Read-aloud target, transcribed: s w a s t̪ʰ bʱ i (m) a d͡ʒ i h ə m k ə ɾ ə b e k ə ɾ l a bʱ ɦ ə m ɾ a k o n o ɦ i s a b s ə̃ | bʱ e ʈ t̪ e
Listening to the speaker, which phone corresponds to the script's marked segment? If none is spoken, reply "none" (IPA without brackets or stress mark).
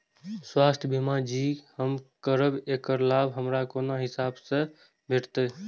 m